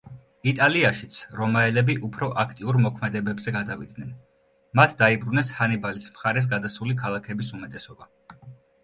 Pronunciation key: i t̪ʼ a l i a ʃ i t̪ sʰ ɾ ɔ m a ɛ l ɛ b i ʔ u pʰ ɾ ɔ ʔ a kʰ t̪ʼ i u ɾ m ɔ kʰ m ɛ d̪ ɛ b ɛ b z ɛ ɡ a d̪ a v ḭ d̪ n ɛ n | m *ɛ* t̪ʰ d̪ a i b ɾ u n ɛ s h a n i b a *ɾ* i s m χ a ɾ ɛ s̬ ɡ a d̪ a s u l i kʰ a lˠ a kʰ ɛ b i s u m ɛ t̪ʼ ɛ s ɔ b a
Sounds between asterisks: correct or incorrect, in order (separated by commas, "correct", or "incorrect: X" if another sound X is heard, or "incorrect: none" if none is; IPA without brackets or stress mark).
incorrect: a, incorrect: l